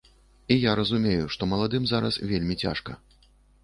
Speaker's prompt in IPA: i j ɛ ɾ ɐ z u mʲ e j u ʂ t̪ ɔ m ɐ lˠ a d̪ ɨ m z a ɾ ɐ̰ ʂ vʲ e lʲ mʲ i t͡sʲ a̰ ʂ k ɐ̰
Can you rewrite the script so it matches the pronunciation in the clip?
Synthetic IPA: i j a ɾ ɐ z u mʲ e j u ʂ t̪ ɔ m ɐ lˠ a d̪ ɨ m z a ɾ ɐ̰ s vʲ e lʲ mʲ i t͡sʲ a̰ ʂ k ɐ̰